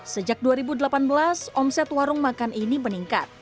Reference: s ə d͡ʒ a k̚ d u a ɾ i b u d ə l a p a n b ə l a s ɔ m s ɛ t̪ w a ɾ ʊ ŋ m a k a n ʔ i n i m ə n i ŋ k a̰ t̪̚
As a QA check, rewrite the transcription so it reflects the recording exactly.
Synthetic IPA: s ə d͡ʒ a k̚ d u a ɾ i b u d ə l a p a n b ə l a s ɔ m s ɛ t̪ w a ɾ ʊ ŋ m a k a n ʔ i n i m ə n i ŋ k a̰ t̪̚